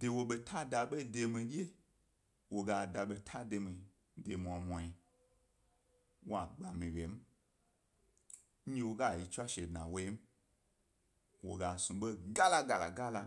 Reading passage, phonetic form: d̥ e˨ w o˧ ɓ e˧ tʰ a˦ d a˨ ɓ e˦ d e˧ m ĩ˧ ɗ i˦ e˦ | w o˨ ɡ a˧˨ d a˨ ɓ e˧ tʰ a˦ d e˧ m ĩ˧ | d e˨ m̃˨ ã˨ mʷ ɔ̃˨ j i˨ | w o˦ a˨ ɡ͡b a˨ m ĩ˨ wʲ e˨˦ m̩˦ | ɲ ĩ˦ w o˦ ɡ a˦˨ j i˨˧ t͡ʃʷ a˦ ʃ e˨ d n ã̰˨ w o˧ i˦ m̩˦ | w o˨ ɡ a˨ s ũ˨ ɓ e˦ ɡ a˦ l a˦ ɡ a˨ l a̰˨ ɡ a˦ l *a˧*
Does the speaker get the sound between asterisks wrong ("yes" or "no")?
no